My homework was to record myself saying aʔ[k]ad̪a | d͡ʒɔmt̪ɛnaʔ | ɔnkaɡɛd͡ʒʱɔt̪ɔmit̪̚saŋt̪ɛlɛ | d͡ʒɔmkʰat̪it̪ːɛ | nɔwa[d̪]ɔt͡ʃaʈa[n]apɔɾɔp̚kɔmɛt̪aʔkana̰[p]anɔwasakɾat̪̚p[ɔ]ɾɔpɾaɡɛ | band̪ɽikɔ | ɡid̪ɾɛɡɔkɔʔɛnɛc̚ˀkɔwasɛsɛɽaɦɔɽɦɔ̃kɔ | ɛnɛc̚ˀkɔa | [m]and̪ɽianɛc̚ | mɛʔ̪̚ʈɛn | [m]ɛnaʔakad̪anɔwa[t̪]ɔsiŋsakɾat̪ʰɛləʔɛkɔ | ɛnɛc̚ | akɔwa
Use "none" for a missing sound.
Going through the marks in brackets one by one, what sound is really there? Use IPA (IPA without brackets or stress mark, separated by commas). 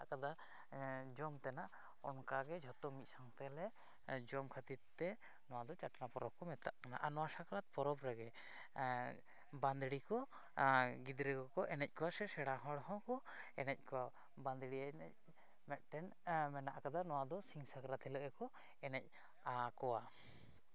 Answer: k, d̪, n, ʔ, ɔ, b, m, d̪